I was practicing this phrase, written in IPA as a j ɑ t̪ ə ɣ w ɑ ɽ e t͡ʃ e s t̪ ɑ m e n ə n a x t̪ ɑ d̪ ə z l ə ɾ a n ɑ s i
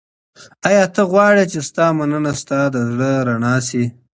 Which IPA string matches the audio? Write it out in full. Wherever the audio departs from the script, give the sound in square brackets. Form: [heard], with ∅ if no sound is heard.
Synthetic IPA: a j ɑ t̪ ə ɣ w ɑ ɽ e t͡ʃ e s t̪ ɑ m [a] n ə n a [s] t̪ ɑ d̪ ə z [ɽ] ə ɾ a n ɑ s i